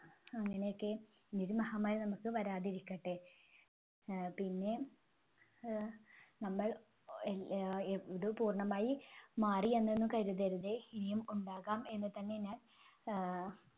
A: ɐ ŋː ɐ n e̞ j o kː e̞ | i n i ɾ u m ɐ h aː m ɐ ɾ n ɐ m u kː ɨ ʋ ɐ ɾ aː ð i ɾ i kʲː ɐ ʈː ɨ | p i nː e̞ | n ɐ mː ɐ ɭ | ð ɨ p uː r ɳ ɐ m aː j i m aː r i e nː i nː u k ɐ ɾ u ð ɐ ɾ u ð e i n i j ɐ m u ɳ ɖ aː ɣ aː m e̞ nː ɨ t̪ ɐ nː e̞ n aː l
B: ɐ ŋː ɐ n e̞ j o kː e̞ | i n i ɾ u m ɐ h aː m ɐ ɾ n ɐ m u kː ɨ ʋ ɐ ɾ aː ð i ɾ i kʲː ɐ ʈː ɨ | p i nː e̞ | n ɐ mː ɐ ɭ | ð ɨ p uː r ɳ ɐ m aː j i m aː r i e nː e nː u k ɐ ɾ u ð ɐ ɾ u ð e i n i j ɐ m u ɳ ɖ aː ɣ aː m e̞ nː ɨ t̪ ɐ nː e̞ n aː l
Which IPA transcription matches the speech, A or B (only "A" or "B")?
B